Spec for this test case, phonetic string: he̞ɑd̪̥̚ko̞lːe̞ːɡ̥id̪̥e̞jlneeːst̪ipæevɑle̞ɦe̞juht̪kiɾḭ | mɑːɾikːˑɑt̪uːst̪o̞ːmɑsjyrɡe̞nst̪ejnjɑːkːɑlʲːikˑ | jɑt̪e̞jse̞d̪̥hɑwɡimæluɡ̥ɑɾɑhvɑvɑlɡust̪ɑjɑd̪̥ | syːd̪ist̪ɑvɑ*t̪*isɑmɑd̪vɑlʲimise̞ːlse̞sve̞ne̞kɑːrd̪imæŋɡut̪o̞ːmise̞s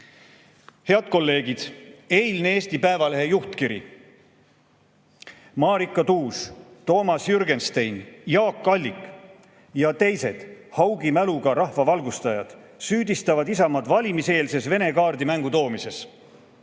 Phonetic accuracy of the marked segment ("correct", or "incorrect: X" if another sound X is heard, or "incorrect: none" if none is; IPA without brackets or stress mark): incorrect: d̪